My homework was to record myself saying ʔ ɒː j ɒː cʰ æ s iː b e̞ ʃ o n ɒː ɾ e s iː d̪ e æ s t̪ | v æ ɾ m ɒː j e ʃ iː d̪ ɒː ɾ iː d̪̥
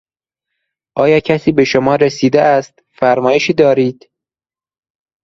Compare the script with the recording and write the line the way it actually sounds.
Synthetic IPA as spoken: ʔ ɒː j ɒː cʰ æ s iː b e̞ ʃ o m ɒː ɾ e s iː d̪ e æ s t̪ | f æ ɾ m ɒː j e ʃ iː d̪ ɒː ɾ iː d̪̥